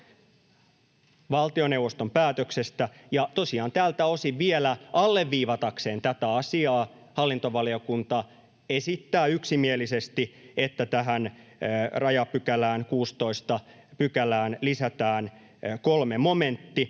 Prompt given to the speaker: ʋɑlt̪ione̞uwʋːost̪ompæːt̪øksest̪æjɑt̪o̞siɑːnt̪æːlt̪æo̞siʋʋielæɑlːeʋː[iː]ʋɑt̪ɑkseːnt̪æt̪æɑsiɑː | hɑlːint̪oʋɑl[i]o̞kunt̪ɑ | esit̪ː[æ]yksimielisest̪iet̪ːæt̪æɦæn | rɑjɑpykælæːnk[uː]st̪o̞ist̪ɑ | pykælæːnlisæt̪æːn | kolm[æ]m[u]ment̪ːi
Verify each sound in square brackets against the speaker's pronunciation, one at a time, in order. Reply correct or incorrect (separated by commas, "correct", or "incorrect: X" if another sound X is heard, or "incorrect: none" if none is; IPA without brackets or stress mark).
correct, correct, incorrect: æː, correct, incorrect: e, incorrect: o